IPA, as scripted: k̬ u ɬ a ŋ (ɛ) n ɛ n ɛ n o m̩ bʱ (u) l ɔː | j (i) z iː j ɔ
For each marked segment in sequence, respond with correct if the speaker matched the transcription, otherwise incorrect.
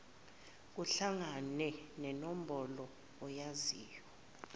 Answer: incorrect: a, incorrect: ɔ, incorrect: a

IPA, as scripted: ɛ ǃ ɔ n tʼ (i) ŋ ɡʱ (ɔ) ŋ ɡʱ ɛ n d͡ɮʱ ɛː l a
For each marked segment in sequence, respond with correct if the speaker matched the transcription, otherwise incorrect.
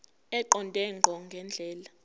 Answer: incorrect: ɛ, correct

